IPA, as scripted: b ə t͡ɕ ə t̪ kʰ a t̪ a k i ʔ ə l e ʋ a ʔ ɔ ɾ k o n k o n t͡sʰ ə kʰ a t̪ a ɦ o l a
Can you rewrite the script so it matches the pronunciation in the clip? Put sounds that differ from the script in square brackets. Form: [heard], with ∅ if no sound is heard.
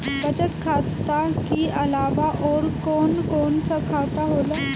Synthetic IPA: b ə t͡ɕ ə t̪ kʰ a t̪ a k i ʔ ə l [a] ʋ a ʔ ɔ ɾ k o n k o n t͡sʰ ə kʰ a t̪ a ɦ o l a